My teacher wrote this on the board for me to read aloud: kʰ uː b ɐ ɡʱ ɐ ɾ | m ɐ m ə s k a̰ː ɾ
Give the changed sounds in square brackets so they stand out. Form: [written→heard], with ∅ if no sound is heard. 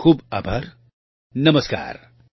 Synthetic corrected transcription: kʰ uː b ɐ [ɡʱ→bʱ] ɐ ɾ | [m→n] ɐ m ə s k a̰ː ɾ

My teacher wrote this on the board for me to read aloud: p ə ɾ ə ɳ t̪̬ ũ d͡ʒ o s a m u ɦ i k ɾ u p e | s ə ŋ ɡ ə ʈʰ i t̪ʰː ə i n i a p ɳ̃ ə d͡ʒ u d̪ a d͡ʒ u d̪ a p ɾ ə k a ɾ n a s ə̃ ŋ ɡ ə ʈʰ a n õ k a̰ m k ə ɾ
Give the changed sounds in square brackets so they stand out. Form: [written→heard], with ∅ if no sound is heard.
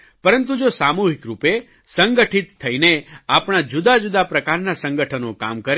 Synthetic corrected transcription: p ə ɾ ə [ɳ→n] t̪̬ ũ d͡ʒ o s a m u ɦ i k ɾ u p e | s ə ŋ ɡ ə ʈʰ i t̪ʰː ə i n [i→e] a p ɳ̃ [ə→a] d͡ʒ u d̪ a d͡ʒ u d̪ a p ɾ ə k a ɾ n a s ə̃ ŋ ɡ ə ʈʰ [a→ə] n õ k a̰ m k ə ɾ

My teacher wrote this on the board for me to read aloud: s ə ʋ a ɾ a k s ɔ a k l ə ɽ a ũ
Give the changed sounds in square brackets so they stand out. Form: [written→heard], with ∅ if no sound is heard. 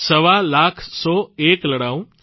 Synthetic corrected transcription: s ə ʋ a [ɾ→l] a [k→kʰ] s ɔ [a→e] k l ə ɽ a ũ

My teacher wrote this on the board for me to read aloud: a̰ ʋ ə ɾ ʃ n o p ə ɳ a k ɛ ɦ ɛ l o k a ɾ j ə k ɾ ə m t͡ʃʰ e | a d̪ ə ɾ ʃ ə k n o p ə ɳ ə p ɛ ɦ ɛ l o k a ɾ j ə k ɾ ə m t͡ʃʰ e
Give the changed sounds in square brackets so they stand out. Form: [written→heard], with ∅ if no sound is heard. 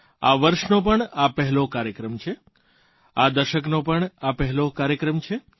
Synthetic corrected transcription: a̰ ʋ ə ɾ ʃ n o p ə ɳ a [k→p] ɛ ɦ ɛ l o k a ɾ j ə k ɾ ə m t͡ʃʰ e | a d̪ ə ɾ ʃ ə k n o p ə ɳ [ə→a] p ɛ ɦ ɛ l o k a ɾ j ə k ɾ ə m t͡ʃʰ e

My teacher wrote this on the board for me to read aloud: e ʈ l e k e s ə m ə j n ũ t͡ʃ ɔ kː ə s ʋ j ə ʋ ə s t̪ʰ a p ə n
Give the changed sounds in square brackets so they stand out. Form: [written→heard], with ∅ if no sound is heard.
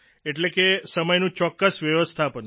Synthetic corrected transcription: e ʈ l e k e s ə m ə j n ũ t͡ʃ ɔ kː ə s ʋ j ə ʋ ə s t̪ʰ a p ə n

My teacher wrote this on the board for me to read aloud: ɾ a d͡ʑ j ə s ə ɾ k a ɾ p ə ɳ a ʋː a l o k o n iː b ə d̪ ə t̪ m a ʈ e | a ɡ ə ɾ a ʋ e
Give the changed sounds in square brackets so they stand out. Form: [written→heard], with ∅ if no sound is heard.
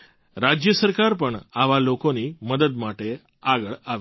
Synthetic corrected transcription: ɾ a d͡ʑ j ə s ə ɾ k a ɾ p ə ɳ a [ʋː→ʋ] a l o k o n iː [b→m] ə d̪ ə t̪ m a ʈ e | a ɡ ə [ɾ→ɭ] a ʋ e

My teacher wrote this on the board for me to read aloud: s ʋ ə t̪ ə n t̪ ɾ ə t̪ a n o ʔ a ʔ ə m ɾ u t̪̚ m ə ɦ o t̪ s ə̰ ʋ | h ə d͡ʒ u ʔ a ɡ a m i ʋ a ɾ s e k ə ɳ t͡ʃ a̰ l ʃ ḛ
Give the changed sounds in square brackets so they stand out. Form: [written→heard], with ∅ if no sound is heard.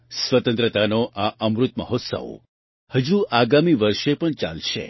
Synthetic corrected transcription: s ʋ ə t̪ ə n t̪ ɾ ə t̪ a n o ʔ a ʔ ə m ɾ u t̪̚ m ə ɦ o t̪ s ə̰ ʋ | h ə d͡ʒ u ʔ a ɡ a m i ʋ [a→ə] ɾ [s→ʃ] e [k→p] ə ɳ t͡ʃ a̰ l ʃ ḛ

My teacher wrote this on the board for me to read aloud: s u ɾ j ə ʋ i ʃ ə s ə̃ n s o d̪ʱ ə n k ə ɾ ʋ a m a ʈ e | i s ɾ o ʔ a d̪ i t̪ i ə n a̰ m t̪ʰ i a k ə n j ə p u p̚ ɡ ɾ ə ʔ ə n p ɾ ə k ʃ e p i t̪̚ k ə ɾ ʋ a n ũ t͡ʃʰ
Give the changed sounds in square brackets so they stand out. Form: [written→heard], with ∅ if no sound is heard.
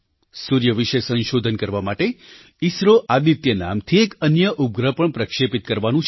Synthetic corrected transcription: s u ɾ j ə ʋ i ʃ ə s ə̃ n [s→ʃ] o d̪ʱ ə n k ə ɾ ʋ a m a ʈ e | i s ɾ o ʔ a d̪ i t̪ [i→j] ə n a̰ m t̪ʰ i [a→e] k ə n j ə [p→ʔ] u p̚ ɡ ɾ ə [ʔ→p] ə [n→ɳ] p ɾ ə k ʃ e p i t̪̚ k ə ɾ ʋ a n ũ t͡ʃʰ

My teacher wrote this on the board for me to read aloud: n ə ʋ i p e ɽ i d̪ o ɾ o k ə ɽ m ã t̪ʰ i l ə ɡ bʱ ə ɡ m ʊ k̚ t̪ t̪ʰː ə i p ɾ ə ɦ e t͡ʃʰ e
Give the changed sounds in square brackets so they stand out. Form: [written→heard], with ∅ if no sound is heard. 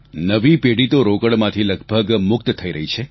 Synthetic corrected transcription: n ə ʋ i p e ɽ i [d̪→t̪] o ɾ o k ə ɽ m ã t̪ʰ i l ə ɡ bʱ ə ɡ m ʊ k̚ t̪ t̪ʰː ə i [p→∅] ɾ ə ɦ [e→i] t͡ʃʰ e

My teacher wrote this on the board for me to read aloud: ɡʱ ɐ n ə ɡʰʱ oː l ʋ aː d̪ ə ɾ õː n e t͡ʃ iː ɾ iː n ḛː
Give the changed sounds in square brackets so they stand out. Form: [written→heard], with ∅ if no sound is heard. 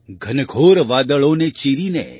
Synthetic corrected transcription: ɡʱ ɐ n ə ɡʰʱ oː [l→ɾ] ʋ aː d̪ ə [ɾ→ɭ] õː n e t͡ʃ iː ɾ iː n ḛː

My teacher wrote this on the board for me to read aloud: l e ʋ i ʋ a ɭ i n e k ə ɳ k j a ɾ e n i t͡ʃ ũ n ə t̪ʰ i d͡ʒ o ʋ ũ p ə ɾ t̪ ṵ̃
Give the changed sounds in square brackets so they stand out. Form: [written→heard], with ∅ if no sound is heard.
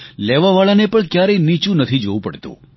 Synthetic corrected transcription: l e ʋ [i→a] ʋ a ɭ [i→a] n e [k→p] ə ɳ k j a ɾ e n i t͡ʃ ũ n ə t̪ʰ i d͡ʒ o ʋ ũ p ə [ɾ→ɽ] t̪ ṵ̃

